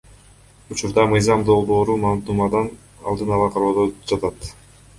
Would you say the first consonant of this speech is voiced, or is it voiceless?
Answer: voiceless